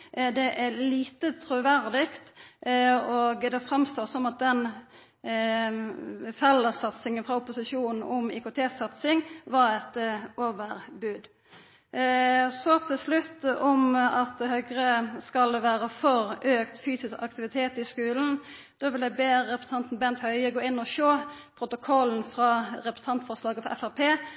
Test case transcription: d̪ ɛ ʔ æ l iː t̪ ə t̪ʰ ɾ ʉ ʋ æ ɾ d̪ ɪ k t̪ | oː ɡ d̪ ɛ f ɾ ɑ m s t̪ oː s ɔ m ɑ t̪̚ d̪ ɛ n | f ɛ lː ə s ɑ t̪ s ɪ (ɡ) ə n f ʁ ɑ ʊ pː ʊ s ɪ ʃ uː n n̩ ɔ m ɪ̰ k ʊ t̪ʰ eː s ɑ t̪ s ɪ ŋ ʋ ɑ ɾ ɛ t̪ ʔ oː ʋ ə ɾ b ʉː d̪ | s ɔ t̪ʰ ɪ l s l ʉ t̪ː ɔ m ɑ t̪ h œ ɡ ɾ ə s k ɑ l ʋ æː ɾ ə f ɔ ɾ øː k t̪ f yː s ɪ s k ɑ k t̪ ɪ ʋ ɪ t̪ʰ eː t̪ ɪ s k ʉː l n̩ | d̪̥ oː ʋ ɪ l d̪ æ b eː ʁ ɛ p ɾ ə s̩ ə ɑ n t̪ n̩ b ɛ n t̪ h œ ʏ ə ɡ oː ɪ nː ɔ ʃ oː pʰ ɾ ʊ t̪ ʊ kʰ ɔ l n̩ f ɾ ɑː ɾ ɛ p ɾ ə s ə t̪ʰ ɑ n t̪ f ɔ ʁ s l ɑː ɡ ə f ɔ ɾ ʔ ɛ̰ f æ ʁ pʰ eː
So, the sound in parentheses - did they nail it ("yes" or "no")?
no